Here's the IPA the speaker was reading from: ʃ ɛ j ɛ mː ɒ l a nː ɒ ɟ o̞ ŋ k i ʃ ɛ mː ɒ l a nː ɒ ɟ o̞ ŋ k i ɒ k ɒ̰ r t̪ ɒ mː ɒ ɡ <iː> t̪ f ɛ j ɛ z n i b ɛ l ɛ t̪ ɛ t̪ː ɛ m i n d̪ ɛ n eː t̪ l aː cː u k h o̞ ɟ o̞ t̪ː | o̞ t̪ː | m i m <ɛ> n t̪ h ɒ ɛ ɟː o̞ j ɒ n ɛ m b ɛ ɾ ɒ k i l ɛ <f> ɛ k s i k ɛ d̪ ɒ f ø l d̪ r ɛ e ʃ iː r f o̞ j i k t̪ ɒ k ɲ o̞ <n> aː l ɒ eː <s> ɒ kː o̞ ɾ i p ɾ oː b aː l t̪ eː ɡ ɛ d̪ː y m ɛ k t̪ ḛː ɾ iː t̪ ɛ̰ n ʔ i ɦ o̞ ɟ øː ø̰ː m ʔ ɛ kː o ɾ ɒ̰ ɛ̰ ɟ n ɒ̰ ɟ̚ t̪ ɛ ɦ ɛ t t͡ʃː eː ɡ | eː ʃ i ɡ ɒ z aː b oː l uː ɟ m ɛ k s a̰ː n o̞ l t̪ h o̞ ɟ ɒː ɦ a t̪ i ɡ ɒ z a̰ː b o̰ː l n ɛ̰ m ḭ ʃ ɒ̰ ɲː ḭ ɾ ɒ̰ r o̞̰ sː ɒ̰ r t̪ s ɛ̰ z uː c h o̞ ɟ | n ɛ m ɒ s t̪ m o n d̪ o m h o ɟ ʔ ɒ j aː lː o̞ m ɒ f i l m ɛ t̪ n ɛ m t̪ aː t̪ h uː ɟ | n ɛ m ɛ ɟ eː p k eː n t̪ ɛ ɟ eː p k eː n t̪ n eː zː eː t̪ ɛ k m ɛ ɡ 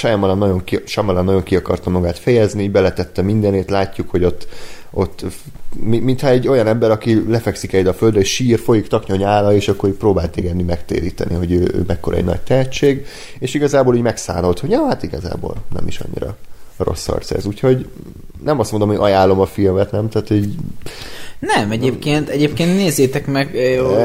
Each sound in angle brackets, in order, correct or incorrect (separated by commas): incorrect, incorrect, correct, incorrect, incorrect